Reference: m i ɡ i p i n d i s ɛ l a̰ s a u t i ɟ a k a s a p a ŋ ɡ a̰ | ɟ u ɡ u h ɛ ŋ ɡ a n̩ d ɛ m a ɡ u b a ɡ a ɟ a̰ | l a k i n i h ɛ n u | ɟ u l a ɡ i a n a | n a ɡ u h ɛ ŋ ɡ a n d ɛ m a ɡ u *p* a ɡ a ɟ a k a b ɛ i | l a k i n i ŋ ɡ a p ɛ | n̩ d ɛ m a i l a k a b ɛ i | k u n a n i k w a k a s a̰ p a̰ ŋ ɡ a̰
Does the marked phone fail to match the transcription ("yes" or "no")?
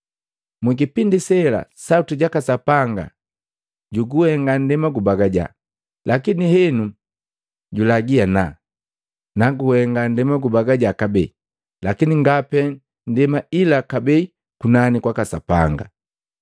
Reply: yes